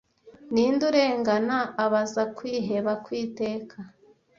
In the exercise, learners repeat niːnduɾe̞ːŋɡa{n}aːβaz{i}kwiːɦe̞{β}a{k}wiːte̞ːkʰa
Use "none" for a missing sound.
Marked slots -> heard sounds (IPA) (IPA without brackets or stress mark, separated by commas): n, a, β, k